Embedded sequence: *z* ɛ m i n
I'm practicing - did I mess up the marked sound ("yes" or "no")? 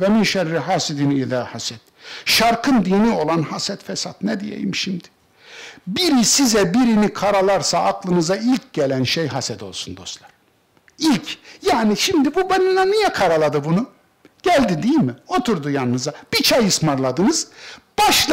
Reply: yes